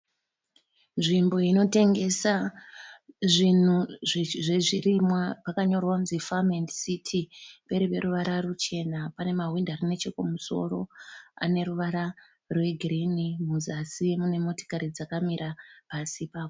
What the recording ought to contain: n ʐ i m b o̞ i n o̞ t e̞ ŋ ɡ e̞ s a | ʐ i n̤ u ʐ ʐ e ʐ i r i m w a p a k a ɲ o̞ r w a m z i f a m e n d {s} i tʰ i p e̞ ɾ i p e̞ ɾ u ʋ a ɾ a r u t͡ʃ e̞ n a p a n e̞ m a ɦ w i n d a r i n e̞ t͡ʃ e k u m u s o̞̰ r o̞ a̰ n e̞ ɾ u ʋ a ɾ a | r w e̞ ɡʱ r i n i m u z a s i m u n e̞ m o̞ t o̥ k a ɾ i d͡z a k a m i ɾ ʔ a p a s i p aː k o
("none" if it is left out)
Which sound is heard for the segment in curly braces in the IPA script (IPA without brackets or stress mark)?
s